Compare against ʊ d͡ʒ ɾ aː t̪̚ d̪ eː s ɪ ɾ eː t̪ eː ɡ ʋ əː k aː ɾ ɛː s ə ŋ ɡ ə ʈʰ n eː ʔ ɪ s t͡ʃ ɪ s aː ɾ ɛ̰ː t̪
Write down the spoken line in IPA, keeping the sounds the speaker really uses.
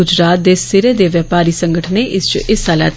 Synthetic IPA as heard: ʊ d͡ʒ ɾ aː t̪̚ d̪ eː s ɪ ɾ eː d̪ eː ʋ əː p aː ɾ iː s ə ŋ ɡ ə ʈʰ n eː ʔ ɪ s t͡ʃ ɪ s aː l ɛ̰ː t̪

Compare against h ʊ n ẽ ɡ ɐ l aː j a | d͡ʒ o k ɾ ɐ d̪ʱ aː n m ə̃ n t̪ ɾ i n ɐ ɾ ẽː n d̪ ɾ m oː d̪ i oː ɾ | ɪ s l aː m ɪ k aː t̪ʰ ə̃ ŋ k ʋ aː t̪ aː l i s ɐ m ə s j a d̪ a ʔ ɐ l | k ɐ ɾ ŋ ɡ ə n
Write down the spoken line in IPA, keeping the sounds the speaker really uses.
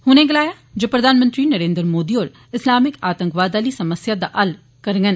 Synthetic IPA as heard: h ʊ n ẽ ɡ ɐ l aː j a | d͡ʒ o p ɾ ɐ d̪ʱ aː n m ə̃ n t̪ ɾ i n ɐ ɾ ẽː n d̪ ɾ m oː d̪ i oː ɾ | ɪ s l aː m ɪ k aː t̪ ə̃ ŋ k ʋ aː d̪ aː l i s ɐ m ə s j a d̪ a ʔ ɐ l | k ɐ ɾ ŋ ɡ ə n

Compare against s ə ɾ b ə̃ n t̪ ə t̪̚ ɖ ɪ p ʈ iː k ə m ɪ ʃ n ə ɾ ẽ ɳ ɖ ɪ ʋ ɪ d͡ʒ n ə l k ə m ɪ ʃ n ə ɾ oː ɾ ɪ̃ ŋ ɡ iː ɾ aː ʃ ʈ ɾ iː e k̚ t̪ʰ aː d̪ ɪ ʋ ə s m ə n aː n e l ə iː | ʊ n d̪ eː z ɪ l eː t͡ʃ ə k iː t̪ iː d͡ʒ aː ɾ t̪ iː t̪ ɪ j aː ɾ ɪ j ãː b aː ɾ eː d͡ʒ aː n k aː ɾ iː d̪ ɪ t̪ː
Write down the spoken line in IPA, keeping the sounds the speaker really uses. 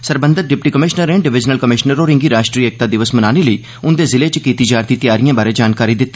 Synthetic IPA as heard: s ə ɾ b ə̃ n d̪ ə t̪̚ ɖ ɪ p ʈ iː k ə m ɪ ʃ n ə ɾ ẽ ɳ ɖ ɪ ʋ ɪ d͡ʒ n ə l k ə m ɪ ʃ n ə ɾ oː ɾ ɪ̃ ŋ ɡ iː ɾ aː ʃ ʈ ɾ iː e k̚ t̪ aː d̪ ɪ ʋ ə s m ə n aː n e l ə iː | ʊ n d̪ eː z ɪ l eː t͡ʃ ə k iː t̪ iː d͡ʒ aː ɾ t̪ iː t̪ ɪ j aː ɾ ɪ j ãː b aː ɾ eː d͡ʒ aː n k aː ɾ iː d̪ ɪ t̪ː

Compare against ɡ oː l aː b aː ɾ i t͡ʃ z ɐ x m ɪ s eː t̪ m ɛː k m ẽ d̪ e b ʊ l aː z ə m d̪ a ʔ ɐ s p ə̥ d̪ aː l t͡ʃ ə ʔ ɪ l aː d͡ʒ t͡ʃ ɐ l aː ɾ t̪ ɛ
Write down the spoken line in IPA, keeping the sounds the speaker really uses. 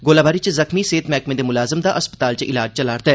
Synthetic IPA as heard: ɡ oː l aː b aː ɾ i t͡ʃ z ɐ x m i s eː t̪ m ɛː k m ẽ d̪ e m ʊ l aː z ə m d̪ a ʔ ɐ s p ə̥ t̪ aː l t͡ʃ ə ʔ ɪ l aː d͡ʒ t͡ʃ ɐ l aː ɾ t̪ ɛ

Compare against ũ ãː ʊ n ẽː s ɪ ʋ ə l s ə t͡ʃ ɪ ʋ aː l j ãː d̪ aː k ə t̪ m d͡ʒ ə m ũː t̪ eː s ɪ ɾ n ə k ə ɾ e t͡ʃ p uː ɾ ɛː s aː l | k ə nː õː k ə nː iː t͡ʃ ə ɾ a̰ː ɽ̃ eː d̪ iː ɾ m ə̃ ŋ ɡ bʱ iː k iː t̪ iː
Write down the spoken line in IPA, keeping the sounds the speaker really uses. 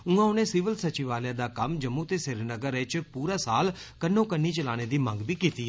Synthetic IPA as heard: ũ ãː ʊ n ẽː s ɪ ʋ ə l s ə t͡ʃ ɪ ʋ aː l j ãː d̪ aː k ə m d͡ʒ ə m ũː t̪ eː s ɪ ɾ n ə ɡ ə ɾ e t͡ʃ p uː ɾ aː s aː l | k ə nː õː k ə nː iː t͡ʃ ə l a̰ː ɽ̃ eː d̪ iː m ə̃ ŋ ɡ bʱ iː k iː t̪ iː

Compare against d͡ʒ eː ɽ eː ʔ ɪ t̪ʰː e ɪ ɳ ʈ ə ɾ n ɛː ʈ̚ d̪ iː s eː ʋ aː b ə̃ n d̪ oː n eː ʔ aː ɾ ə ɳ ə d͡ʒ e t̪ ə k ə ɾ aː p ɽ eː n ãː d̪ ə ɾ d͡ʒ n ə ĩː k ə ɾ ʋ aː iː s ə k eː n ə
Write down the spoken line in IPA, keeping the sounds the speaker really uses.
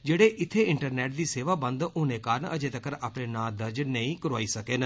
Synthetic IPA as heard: d͡ʒ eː ɽ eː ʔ ɪ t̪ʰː e ɪ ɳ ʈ ə ɾ n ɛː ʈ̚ d̪ iː s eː ʋ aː b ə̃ n d̪ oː n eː k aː ɾ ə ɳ ə d͡ʒ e t̪ ə k ə ɾ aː p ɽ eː n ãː d̪ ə ɾ d͡ʒ n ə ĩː k ə ɾ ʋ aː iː s ə k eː n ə

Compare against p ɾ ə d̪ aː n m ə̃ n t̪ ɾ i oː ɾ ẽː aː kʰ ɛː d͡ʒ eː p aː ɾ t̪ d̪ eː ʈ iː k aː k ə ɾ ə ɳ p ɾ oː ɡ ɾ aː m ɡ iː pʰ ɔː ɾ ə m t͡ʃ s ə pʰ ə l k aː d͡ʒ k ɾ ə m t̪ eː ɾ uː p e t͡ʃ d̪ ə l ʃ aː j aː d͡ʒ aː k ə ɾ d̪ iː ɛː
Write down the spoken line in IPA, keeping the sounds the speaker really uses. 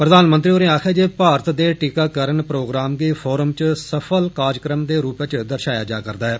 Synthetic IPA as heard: p ɾ ə d̪ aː n m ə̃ n t̪ ɾ i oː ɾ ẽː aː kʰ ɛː d͡ʒ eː p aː ɾ t̪ d̪ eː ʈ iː k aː k ə ɾ ə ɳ p ɾ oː ɡ ɾ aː m ɡ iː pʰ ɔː ɾ ə m t͡ʃ s ə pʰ ə l k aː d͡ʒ k ɾ ə m d̪ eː ɾ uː p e t͡ʃ d̪ ə ɾ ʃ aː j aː d͡ʒ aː k ə ɾ d̪ aː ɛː

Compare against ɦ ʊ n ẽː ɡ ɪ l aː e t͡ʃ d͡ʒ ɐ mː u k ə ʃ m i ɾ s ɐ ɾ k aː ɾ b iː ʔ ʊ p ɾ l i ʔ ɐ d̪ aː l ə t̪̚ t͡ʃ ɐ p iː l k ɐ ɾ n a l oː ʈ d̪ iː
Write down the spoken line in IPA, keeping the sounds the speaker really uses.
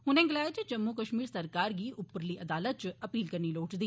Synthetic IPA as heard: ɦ ʊ n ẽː ɡ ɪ l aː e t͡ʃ d͡ʒ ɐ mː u k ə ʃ m iː ɾ s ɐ ɾ k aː ɾ ɡ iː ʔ ʊ p ɾ l i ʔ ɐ d̪ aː l ə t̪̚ t͡ʃ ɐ p iː l k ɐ ɾ n i l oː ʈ d̪ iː

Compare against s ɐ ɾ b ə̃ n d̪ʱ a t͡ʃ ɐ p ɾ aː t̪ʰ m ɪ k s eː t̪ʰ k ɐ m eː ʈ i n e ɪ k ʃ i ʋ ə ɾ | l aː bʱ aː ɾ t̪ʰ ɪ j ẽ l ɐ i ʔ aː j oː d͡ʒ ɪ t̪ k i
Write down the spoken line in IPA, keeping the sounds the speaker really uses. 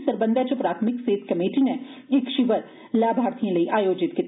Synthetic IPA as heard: s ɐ ɾ b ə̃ n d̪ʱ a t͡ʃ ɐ p ɾ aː t̪ʰ m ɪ k s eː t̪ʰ k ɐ m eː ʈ i n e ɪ k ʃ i ʋ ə ɾ | l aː bʱ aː ɾ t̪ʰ i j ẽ l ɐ i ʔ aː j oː d͡ʒ ɪ t̪ k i

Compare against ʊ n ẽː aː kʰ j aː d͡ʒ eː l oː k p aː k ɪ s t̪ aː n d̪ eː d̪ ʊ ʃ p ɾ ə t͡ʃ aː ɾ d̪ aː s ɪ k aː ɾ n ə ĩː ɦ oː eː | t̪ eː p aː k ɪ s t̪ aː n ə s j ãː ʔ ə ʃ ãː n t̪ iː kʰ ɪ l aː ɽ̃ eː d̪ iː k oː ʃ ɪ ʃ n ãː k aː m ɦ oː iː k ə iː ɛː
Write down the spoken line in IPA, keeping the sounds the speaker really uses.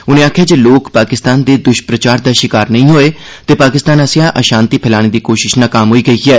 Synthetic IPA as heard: ʊ n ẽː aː kʰ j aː d͡ʒ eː l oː k p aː k ɪ s t̪ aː n d̪ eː d̪ ʊ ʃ p ɾ ə t͡ʃ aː ɾ d̪ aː ʃ ɪ k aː ɾ n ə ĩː ɦ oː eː | t̪ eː p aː k ɪ s t̪ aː n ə s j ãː ʔ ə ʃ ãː n t̪ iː pʰ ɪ l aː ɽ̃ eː d̪ iː k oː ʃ ɪ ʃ n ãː k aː m ɦ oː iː ɡ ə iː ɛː

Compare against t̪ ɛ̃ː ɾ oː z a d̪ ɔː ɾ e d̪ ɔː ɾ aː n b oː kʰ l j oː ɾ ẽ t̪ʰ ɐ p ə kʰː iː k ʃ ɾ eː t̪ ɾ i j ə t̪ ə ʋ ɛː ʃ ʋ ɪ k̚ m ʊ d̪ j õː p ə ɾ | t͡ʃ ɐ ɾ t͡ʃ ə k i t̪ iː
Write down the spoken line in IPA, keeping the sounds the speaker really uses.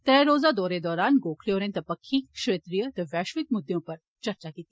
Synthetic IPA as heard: t̪ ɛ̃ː ɾ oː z a d̪ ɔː ɾ e d̪ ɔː ɾ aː n ɡ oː kʰ l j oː ɾ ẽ t̪ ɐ p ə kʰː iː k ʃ ɾ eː t̪ ɾ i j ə t̪ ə ʋ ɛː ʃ ʋ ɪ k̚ m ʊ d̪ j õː p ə ɾ | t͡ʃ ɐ ɾ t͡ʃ a k i t̪ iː

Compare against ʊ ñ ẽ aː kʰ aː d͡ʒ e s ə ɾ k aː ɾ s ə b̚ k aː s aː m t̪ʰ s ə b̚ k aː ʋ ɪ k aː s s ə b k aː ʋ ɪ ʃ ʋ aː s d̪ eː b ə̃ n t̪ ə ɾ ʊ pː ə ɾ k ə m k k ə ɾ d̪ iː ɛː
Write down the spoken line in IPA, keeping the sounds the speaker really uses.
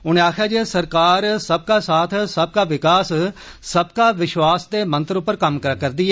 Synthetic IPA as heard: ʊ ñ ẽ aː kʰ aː d͡ʒ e s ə ɾ k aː ɾ s ə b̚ k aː s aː t̪ʰ s ə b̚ k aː ʋ ɪ k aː s s ə b k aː ʋ ɪ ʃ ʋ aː s d̪ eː m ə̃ n t̪ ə ɾ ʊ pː ə ɾ k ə m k k ə ɾ d̪ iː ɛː

